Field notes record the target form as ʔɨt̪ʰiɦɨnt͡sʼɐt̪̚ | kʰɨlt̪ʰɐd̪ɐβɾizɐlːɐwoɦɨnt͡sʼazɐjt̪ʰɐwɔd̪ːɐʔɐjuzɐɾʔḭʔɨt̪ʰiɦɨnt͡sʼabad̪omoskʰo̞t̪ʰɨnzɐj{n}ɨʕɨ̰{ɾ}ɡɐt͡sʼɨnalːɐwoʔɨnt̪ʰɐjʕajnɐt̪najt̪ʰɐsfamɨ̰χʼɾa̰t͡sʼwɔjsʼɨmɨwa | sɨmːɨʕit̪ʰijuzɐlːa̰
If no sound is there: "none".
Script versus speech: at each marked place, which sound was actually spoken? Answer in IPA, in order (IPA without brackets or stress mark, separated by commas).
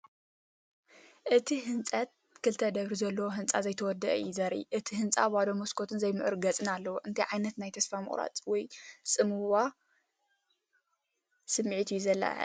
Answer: m, ɾ